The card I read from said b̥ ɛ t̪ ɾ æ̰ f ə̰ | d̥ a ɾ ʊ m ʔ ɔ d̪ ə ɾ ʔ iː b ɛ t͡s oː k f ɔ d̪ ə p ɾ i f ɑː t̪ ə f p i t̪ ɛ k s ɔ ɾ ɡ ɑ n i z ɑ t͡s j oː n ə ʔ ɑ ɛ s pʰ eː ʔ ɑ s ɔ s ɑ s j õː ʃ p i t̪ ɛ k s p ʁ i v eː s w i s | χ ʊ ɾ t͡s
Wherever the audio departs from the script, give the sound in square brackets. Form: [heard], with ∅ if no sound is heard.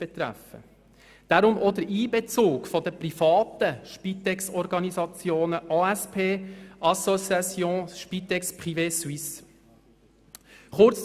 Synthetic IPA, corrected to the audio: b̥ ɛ t̪ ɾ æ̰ f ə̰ | d̥ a ɾ ʊ m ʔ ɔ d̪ ə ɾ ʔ iː b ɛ t͡s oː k f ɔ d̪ ə p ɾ i f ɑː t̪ ə [ʃ] p i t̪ ɛ k s ɔ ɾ ɡ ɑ n i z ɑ t͡s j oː n ə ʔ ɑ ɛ s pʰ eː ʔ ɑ s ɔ s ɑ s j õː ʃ p i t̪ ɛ k s p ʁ i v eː s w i s | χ ʊ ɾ t͡s